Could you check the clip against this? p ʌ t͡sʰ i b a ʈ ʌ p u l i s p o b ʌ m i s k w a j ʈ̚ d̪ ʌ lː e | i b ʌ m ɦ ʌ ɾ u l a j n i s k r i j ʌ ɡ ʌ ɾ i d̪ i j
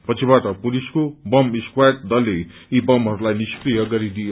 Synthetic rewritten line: p ʌ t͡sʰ i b a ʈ ʌ p u l i s k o b ʌ m i s k w a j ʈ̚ d̪ ʌ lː e | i b ʌ m ɦ ʌ ɾ u l a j n i s k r i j ʌ ɡ ʌ ɾ i d̪ i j